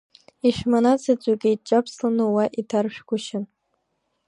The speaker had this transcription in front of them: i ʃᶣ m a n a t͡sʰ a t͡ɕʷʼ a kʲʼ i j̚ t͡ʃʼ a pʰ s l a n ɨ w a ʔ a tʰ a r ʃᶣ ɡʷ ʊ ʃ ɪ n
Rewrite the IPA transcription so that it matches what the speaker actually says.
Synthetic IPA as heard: i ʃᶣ m a n a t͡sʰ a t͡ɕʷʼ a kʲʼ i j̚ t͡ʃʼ a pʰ s l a n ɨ w a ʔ i tʰ a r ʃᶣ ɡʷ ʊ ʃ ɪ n

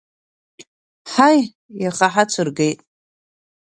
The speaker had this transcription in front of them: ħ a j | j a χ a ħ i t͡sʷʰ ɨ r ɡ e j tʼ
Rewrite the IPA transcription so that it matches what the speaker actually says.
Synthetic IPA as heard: ħ a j | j a χ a ħ a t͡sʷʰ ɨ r ɡ e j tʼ

